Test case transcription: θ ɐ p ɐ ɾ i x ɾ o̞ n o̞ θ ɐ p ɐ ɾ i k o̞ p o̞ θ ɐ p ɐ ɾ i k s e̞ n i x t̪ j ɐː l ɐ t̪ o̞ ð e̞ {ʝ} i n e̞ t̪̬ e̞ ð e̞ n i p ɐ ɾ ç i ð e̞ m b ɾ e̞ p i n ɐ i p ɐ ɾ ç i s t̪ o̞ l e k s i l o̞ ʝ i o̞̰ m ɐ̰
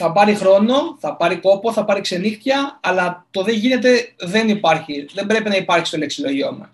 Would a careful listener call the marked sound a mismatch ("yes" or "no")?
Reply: no